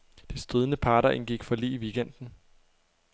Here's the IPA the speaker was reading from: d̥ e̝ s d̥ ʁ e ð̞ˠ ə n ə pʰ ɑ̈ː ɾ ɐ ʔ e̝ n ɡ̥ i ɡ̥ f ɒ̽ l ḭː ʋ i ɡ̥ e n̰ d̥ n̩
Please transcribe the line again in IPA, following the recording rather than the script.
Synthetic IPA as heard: d̥ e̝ s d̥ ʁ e ð̞ˠ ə n ə pʰ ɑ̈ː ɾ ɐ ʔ e̝ n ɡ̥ i ɡ̥ f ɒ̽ l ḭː ʋ i ɡ̥ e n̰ d̥ n̩